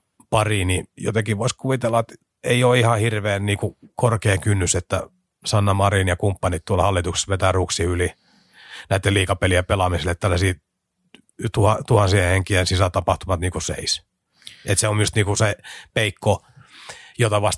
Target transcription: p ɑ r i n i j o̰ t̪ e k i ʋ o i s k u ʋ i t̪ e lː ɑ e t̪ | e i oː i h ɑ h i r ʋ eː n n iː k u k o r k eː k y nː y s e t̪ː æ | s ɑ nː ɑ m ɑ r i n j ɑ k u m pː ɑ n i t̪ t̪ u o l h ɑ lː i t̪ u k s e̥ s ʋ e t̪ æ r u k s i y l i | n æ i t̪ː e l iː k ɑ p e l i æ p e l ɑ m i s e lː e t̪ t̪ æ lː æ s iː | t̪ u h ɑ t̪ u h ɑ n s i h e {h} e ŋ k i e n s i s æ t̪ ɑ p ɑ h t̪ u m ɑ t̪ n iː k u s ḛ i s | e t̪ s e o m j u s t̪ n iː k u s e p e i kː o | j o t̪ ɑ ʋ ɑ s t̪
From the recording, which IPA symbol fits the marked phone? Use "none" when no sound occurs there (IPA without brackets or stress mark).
h